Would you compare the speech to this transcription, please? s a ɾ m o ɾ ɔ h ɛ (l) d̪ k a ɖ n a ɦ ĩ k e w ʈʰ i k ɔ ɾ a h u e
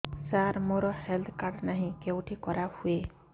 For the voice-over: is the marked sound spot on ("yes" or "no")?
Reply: yes